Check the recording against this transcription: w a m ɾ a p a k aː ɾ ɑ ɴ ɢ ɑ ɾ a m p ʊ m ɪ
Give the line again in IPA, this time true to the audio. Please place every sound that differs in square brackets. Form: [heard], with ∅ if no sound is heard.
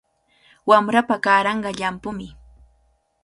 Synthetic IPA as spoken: w a m ɾ a p a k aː ɾ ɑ ɴ ɢ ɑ [ʎ] a m p ʊ m ɪ